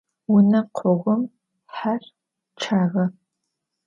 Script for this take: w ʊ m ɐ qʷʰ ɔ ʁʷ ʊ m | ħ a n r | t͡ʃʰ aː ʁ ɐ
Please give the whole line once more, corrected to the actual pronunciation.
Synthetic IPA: w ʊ n ɐ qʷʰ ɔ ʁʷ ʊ m | ħ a r | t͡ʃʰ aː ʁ ɐ